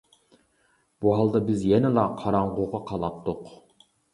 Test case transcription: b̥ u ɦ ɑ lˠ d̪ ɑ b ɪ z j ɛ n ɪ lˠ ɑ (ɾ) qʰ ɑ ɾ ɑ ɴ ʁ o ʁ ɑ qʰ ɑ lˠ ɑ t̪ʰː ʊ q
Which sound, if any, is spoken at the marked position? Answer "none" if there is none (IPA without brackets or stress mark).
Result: none